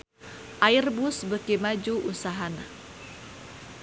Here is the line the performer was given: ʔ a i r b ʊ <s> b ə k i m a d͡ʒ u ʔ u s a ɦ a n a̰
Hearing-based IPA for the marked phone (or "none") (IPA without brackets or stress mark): s